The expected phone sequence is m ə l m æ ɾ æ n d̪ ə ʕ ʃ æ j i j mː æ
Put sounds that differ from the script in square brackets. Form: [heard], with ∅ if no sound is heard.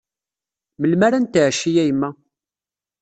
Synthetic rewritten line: m ə l m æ ɾ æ n [t̪] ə ʕ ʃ [i] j [æ] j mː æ